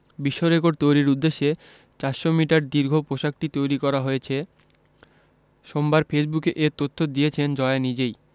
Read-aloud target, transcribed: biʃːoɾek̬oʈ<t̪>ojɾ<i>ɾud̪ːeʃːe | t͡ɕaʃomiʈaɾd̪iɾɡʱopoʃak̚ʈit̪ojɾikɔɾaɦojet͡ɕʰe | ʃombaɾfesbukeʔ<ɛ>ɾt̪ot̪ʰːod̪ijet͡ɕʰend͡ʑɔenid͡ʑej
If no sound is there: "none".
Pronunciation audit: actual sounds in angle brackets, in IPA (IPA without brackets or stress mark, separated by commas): t̪, i, e